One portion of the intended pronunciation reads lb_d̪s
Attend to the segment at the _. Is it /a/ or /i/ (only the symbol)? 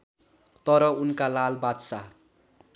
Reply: a